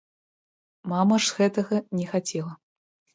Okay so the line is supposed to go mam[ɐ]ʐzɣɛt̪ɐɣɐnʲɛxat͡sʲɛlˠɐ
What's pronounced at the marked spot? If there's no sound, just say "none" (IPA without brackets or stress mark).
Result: ɐ